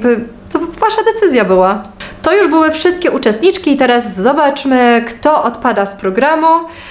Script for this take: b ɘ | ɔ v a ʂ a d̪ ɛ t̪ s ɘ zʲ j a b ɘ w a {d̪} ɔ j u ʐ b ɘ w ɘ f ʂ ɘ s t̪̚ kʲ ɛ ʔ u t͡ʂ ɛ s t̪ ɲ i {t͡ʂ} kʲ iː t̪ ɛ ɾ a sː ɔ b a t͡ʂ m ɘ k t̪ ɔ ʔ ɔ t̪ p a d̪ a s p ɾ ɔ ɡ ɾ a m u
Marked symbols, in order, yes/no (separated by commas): no, yes